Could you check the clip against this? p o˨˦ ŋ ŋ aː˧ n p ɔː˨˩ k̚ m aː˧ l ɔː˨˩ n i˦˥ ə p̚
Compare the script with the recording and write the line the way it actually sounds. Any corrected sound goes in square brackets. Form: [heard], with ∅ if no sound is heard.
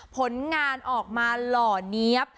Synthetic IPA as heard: [pʰ] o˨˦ [n] ŋ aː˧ n [ʔ] ɔː˨˩ k̚ m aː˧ l ɔː˨˩ n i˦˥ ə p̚